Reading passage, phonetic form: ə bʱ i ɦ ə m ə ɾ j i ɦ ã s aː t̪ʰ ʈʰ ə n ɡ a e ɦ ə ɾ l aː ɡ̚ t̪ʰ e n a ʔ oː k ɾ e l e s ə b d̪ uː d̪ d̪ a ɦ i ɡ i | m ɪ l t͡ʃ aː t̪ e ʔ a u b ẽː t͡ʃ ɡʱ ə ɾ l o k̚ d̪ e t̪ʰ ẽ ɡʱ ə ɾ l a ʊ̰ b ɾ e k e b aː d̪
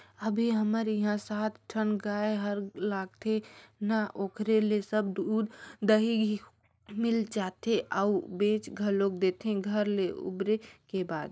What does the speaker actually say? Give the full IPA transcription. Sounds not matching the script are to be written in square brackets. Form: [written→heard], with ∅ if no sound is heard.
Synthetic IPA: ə bʱ i ɦ ə m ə ɾ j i ɦ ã s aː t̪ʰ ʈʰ ə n ɡ a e ɦ ə ɾ l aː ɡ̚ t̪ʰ e n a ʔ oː k ɾ e l e s ə b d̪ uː d̪ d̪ [a→ə] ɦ i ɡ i | m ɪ l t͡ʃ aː t̪ e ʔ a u b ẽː t͡ʃ ɡʱ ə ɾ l o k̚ d̪ e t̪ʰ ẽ ɡʱ ə ɾ l [a→e] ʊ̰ b ɾ e k e b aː d̪